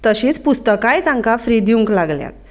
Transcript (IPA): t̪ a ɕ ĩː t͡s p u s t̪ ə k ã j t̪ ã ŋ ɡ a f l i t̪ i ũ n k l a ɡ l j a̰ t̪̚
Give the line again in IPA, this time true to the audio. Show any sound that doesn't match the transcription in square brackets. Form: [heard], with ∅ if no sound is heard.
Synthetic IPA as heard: t̪ [ə] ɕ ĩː t͡s p u s t̪ ə k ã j t̪ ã ŋ [k] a f [ɾ] i [d̪] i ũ [ŋ] k l a ɡ l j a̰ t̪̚